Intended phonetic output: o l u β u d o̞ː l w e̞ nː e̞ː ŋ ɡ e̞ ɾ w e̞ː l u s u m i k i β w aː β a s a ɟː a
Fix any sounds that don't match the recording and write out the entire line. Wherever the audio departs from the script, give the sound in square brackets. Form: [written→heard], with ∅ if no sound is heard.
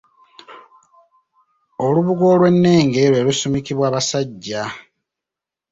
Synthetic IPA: o l u β u [d→ɡ] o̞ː l w e̞ nː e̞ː ŋ ɡ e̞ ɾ w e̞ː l u s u m i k i β w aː β a s a ɟː a